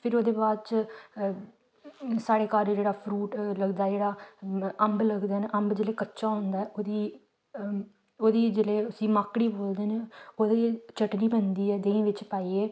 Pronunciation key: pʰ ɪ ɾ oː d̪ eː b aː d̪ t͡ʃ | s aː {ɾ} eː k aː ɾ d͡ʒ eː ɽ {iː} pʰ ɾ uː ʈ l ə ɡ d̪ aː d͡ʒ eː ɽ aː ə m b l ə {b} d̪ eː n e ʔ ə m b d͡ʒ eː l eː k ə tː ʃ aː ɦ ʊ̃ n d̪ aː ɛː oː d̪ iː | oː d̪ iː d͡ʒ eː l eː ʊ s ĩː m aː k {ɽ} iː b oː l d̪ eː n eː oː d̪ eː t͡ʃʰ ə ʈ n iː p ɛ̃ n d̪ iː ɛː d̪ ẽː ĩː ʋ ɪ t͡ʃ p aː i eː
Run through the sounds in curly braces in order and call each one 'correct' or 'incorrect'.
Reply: incorrect: ɽ, incorrect: aː, incorrect: ɡ, correct

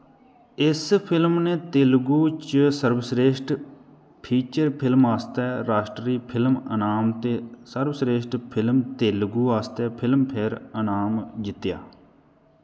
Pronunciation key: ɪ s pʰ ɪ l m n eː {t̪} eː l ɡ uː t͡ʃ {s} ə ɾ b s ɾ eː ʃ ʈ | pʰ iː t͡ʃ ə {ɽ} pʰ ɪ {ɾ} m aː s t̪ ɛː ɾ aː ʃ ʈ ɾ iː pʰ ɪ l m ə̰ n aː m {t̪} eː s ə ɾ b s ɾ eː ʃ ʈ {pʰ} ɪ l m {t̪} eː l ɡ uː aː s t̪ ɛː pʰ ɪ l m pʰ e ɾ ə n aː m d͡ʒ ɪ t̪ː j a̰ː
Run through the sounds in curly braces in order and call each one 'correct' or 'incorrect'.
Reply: correct, correct, incorrect: ɾ, incorrect: l, correct, correct, correct

